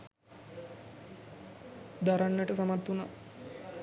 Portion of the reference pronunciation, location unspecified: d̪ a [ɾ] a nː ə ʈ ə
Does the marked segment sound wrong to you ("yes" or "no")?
no